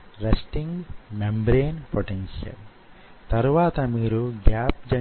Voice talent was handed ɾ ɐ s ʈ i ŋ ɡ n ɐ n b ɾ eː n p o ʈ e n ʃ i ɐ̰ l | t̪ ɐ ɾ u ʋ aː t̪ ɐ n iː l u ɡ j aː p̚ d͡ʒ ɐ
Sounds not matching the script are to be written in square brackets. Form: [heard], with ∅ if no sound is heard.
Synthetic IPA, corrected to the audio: ɾ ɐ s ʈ i ŋ ɡ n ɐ [m] b ɾ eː n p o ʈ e n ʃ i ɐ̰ l | t̪ ɐ ɾ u ʋ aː t̪ ɐ [m] iː [ɾ] u ɡ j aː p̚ d͡ʒ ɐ

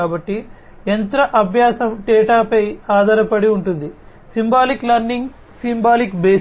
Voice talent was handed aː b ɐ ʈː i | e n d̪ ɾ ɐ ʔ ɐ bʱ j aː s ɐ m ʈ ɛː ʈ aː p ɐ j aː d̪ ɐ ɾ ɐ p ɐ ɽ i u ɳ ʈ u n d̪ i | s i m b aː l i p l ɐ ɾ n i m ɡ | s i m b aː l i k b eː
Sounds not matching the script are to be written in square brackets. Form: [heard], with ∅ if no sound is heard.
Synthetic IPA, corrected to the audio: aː b ɐ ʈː i | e n [t̪] ɾ ɐ ʔ ɐ bʱ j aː s ɐ m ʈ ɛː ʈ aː p ɐ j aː d̪ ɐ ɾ ɐ p ɐ ɽ i u ɳ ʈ u n d̪ i | s i m b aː l i [k] l ɐ ɾ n i [ŋ] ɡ | s i m b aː l i k b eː

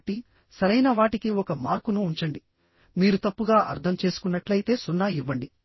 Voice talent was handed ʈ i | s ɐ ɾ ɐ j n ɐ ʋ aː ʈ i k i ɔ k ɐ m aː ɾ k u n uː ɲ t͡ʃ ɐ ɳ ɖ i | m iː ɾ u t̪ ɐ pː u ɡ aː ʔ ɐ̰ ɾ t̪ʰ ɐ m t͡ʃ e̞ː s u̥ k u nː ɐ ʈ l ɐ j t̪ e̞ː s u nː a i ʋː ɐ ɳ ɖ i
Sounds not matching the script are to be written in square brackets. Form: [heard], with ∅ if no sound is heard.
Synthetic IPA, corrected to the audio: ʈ i | s ɐ ɾ ɐ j n ɐ ʋ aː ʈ i k i ɔ k ɐ m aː ɾ k u n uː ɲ t͡ʃ ɐ ɳ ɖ i | m iː ɾ u t̪ ɐ pː u ɡ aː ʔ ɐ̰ ɾ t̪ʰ ɐ m t͡ʃ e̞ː s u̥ k u nː ɐ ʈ l ɐ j t̪ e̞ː s u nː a i ʋː ɐ ɳ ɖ i

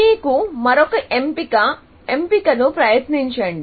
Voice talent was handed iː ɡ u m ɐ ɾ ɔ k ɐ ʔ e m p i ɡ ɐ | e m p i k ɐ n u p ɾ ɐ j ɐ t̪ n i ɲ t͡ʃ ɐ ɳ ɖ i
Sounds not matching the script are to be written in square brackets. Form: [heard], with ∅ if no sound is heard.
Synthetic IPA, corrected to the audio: iː [k] u m ɐ ɾ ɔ k ɐ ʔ e m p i [k] ɐ | e m p i k ɐ n u p ɾ ɐ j ɐ t̪ n i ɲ t͡ʃ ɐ ɳ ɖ i

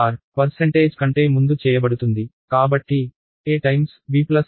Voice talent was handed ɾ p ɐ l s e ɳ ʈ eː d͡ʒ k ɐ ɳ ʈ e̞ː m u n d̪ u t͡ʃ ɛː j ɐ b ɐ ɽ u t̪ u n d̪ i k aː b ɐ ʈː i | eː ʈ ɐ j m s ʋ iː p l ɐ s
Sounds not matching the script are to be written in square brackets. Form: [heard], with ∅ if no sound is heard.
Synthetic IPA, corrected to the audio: ɾ p ɐ [ɾ] s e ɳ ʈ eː d͡ʒ k ɐ ɳ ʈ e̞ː m u n d̪ u t͡ʃ ɛː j ɐ b ɐ ɽ u t̪ u n d̪ i k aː b ɐ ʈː i | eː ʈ ɐ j m s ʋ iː p l ɐ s

